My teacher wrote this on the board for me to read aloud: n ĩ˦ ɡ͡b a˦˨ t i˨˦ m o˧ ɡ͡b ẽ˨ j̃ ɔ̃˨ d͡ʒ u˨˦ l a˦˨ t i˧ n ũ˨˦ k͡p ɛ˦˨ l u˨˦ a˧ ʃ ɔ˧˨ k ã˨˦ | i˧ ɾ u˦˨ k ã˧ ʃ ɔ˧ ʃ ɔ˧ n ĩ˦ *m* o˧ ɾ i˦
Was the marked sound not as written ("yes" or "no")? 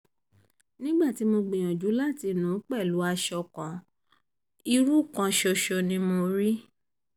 no